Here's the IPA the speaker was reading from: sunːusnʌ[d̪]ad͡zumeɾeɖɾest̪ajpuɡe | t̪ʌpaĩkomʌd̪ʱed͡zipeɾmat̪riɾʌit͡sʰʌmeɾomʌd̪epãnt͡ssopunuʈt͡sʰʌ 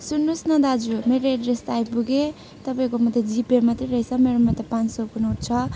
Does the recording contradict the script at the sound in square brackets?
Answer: no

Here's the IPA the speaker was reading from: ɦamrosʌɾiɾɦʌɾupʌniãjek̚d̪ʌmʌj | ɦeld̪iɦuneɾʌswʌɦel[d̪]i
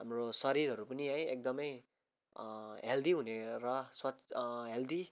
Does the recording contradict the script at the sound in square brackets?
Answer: no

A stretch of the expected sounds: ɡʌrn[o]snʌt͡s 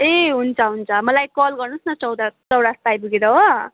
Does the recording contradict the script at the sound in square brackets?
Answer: yes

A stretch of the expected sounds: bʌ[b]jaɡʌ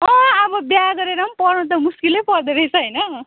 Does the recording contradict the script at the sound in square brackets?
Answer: no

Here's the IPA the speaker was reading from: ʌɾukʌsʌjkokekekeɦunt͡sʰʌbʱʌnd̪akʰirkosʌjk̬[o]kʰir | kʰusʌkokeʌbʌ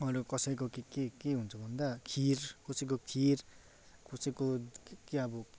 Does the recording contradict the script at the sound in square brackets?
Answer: no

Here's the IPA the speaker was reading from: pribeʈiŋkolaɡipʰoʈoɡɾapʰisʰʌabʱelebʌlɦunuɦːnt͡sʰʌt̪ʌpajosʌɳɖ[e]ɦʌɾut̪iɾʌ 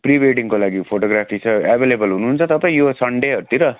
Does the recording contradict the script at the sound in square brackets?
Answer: no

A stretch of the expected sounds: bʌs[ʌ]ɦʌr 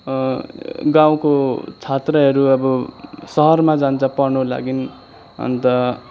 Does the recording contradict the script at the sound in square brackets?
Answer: no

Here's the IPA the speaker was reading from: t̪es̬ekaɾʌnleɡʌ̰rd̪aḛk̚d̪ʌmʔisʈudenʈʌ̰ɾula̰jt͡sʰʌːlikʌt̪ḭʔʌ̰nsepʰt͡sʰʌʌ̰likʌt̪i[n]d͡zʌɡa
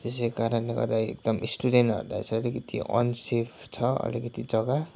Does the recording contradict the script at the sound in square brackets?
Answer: yes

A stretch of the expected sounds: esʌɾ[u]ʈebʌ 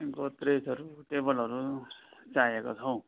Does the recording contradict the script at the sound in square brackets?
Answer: no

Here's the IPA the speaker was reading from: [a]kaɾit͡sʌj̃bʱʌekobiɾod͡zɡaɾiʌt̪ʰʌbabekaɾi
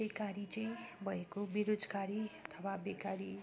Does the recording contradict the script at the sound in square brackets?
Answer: yes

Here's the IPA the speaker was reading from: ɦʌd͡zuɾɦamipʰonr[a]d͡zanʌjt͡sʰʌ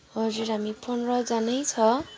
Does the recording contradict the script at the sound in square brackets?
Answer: yes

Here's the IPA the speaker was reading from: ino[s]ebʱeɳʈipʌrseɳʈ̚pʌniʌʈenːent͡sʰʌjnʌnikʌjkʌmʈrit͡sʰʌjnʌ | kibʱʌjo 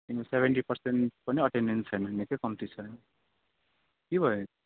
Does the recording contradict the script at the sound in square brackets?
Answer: no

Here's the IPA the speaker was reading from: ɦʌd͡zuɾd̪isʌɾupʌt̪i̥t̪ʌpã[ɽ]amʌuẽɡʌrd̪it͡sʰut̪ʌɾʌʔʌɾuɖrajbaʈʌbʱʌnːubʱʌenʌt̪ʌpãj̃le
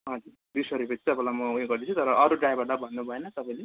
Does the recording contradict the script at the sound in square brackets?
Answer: yes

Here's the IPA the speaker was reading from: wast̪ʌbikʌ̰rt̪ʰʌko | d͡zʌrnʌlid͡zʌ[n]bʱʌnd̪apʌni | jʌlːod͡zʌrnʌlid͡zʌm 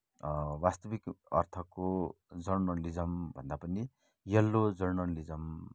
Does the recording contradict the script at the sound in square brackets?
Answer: yes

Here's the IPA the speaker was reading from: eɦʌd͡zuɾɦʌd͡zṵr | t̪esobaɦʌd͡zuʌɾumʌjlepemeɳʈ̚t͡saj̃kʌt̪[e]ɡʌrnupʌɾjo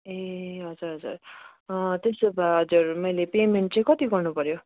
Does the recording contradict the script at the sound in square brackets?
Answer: yes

